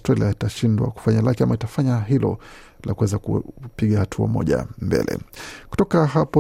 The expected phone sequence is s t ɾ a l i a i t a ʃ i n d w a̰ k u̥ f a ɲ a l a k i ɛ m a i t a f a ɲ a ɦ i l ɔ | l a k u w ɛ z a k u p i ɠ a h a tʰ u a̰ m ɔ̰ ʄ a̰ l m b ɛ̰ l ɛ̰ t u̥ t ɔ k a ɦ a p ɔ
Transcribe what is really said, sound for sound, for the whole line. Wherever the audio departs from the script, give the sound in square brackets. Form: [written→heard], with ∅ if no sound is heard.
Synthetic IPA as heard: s t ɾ a l i a i t a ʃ i n d w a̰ k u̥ f a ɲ a l a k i [ɛ→a] m a i t a f a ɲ a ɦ i l ɔ | l a k u w ɛ z a k u p i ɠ a h a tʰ u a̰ m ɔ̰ ʄ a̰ [l→∅] m b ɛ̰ l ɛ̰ [t→k] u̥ t ɔ k a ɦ a p ɔ